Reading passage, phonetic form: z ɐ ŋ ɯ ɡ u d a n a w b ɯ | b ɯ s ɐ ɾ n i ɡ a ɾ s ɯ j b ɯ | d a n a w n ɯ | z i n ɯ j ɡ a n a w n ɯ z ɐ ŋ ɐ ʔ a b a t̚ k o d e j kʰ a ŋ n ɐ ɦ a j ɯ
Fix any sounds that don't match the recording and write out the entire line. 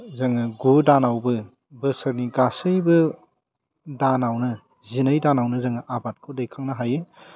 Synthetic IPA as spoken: z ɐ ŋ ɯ ɡ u d a n a w b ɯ | b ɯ s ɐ ɾ n i ɡ a s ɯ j b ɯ | d a n a w n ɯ | z i n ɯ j d a n a w n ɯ z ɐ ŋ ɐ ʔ a b a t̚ kʰ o d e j kʰ a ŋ n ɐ ɦ a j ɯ